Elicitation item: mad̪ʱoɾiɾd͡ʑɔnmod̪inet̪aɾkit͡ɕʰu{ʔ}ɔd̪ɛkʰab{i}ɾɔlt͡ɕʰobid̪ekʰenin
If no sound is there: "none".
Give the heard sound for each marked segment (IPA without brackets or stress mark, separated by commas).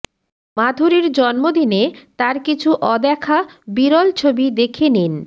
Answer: ʔ, i